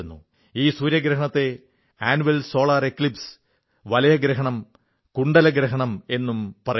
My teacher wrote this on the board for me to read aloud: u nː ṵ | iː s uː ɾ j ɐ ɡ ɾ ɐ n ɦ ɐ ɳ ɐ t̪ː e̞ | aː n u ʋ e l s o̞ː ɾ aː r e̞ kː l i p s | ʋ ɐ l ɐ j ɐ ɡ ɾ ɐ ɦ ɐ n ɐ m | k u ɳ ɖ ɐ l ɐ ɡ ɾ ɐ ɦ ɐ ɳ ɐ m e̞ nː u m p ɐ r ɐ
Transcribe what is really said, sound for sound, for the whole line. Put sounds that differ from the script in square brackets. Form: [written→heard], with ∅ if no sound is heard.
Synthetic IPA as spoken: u nː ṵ | iː s uː ɾ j ɐ ɡ ɾ ɐ [n→∅] ɦ ɐ ɳ ɐ t̪ː e̞ | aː n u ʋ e l s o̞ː [ɾ→ɭ] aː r e̞ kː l i p s | ʋ ɐ l ɐ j ɐ ɡ ɾ ɐ ɦ ɐ [n→ɳ] ɐ m | k u ɳ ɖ ɐ l ɐ ɡ ɾ ɐ ɦ ɐ ɳ ɐ m e̞ nː u m p ɐ r ɐ